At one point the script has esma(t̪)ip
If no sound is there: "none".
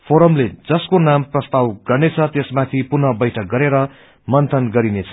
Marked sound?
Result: t̪ʰ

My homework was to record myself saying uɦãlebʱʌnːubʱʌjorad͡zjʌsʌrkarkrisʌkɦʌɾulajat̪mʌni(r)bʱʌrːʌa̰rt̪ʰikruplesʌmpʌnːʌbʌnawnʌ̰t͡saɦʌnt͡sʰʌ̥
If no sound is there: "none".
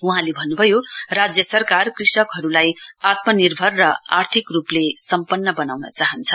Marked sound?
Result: r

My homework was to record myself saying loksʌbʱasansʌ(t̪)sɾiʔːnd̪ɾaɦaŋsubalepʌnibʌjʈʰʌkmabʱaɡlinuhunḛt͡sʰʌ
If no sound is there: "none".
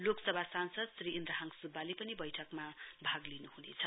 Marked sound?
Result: d̪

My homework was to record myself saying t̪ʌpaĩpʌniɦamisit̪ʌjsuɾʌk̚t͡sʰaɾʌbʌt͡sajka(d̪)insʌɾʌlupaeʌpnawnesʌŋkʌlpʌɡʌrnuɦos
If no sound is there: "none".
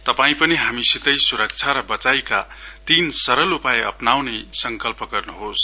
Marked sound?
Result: t̪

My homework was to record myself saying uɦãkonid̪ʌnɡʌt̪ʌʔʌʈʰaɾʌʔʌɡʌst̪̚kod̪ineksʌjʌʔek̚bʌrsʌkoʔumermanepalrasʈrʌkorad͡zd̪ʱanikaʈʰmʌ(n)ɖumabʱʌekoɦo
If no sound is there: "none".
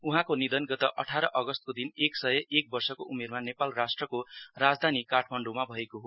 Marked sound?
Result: ɳ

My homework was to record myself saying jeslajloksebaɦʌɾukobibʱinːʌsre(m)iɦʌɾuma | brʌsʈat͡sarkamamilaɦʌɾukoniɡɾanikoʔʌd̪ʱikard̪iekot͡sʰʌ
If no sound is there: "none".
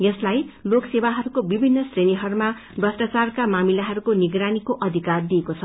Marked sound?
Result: n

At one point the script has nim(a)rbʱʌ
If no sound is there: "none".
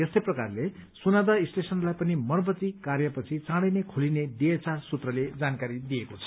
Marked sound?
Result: ʌ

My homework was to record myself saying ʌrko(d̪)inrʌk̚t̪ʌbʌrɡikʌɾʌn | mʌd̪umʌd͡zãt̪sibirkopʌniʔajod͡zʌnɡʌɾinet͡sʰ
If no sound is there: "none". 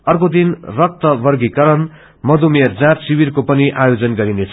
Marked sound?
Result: d̪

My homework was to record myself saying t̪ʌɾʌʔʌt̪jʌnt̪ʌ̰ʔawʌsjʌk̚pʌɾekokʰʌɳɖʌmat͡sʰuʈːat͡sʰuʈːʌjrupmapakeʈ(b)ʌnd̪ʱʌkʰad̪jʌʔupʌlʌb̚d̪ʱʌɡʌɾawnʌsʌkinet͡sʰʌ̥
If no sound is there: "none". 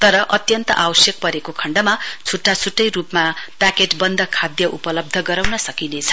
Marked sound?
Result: b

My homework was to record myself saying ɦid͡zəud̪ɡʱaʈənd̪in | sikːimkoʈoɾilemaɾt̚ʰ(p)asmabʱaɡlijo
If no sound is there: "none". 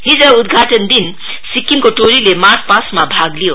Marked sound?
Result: p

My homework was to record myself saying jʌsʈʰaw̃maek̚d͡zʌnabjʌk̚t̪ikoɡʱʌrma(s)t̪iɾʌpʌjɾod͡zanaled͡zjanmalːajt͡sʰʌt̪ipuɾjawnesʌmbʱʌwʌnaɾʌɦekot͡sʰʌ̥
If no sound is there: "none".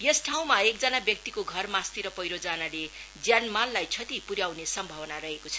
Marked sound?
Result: s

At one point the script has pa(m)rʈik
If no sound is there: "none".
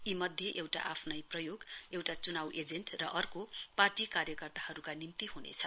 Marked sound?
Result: none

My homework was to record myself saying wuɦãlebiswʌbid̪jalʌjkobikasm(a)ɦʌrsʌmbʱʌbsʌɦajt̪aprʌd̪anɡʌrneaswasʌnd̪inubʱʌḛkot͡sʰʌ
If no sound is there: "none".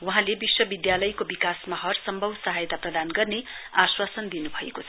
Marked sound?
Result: a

